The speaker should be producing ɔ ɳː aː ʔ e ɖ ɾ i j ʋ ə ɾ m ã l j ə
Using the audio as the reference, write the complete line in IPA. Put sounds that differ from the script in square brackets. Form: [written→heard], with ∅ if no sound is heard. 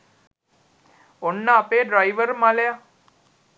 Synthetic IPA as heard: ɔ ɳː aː [ʔ→p] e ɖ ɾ [i→a] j ʋ ə ɾ m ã l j [ə→a]